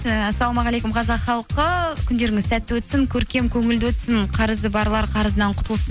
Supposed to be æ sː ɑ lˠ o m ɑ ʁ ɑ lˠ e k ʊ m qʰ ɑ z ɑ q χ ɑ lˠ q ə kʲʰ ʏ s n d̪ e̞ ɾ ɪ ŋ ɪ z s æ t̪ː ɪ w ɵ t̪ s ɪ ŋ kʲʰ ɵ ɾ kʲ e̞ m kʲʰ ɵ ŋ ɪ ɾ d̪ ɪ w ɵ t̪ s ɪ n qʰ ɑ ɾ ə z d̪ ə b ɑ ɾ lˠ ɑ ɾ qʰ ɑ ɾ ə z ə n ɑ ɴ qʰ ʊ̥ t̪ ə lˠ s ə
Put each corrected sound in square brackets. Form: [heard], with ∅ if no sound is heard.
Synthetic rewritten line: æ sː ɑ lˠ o m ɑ ʁ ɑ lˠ e k ʊ m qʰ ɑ z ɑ q χ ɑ lˠ q ə kʲʰ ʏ [∅] n d̪ e̞ ɾ ɪ ŋ ɪ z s æ t̪ː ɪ w ɵ t̪ s ɪ ŋ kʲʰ ɵ ɾ kʲ e̞ m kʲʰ ɵ ŋ ɪ [l] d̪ ɪ w ɵ t̪ s ɪ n qʰ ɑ ɾ ə z d̪ ə b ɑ ɾ lˠ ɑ ɾ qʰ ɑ ɾ ə z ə n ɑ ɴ qʰ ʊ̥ t̪ ə lˠ s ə

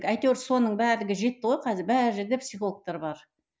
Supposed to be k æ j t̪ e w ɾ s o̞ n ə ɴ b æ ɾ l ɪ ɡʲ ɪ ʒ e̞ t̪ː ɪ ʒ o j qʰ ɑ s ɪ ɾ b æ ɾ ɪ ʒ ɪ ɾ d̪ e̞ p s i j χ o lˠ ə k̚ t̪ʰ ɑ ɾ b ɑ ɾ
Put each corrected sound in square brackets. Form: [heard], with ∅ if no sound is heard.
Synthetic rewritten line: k æ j t̪ e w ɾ s o̞ n ə ɴ b æ ɾ l ɪ ɡʲ ɪ ʒ e̞ t̪ː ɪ [ʁ] o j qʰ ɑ [z] ɪ ɾ b æ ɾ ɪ ʒ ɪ ɾ d̪ e̞ p s i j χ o lˠ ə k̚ [t̪] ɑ ɾ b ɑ ɾ

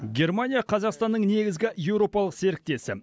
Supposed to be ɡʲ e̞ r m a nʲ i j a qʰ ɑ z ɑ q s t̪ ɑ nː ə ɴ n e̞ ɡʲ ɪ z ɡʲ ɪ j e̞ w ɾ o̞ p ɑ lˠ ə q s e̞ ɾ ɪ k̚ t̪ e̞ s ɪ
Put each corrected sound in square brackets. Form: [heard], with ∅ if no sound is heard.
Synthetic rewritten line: ɡʲ e̞ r m a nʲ i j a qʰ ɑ z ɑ q s t̪ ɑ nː ə ɴ n e̞ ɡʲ ɪ z ɡʲ ɪ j e̞ w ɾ o̞ p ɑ lˠ ə q s e̞ ɾ ɪ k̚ t̪ e̞ s ɪ

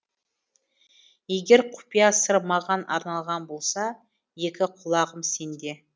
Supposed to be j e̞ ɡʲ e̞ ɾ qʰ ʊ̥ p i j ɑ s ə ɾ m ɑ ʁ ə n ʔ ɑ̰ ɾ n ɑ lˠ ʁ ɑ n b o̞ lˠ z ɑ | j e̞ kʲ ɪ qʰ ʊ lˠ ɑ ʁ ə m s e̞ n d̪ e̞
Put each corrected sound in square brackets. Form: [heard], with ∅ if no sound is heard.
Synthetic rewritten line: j e̞ ɡʲ e̞ ɾ qʰ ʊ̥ p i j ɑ s ə ɾ m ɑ ʁ [ɑ] n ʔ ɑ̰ ɾ n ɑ lˠ ʁ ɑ n b o̞ lˠ [s] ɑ | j e̞ kʲ ɪ qʰ ʊ lˠ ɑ ʁ ə m s e̞ n d̪ e̞

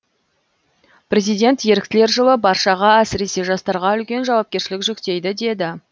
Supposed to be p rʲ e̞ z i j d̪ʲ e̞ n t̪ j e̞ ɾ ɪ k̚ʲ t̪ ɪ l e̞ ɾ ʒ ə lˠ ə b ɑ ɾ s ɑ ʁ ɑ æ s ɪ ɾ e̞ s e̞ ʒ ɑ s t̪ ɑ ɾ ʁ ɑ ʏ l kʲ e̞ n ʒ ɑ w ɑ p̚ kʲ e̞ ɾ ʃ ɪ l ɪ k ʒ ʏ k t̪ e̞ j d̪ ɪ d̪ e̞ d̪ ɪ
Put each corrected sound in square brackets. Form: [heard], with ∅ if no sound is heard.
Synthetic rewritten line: p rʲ e̞ z i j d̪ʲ e̞ n t̪ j e̞ ɾ ɪ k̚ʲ t̪ ɪ l e̞ ɾ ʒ ə lˠ ə b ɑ ɾ [ʃ] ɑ ʁ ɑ æ s ɪ ɾ e̞ s e̞ ʒ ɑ s t̪ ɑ ɾ ʁ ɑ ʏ l kʲ e̞ n ʒ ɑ w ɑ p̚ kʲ e̞ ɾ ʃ ɪ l ɪ k ʒ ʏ k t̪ e̞ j d̪ ɪ d̪ e̞ d̪ ɪ

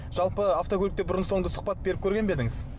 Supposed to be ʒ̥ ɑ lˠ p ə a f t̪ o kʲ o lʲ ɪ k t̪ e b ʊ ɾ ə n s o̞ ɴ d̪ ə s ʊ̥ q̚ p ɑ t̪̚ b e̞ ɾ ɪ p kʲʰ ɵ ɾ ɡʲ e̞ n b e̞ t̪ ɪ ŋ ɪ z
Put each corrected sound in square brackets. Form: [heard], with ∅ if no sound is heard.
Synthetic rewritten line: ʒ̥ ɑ lˠ p ə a f t̪ o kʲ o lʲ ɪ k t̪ e b ʊ ɾ ə n s o̞ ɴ d̪ ə s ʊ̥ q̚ p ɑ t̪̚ b e̞ ɾ ɪ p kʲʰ ɵ ɾ ɡʲ e̞ n b e̞ [d̪] ɪ ŋ ɪ z

